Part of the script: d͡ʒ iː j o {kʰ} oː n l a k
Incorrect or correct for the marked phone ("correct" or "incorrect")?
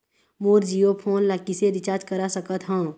incorrect